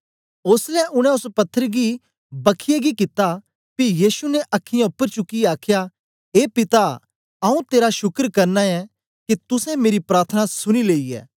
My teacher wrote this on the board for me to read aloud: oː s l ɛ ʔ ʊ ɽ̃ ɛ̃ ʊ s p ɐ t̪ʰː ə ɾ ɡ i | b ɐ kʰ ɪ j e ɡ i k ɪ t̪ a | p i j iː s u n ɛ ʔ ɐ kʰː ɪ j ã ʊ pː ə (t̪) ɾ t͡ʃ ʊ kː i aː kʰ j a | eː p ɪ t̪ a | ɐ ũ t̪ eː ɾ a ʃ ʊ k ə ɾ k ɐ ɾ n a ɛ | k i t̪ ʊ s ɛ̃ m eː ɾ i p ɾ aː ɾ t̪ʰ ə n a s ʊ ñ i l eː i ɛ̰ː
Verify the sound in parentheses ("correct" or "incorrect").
incorrect